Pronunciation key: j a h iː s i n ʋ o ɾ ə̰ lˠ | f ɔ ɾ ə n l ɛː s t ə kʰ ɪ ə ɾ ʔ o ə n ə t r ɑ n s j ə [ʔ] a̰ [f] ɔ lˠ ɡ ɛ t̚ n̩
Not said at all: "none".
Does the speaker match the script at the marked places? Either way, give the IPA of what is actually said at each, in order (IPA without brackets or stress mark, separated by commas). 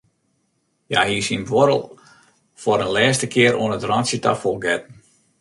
t, f